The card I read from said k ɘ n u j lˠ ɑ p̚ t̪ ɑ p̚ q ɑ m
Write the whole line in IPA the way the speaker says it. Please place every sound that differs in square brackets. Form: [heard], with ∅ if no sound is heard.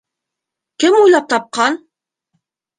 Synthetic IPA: k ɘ [m] u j lˠ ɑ p̚ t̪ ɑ p̚ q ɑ [n]